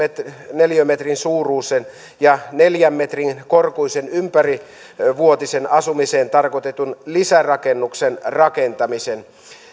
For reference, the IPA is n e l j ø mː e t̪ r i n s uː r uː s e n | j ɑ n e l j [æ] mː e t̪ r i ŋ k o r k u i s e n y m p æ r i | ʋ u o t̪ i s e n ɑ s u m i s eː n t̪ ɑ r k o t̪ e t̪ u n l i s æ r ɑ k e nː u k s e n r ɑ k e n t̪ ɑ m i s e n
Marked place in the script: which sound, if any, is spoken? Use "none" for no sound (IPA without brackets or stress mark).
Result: æ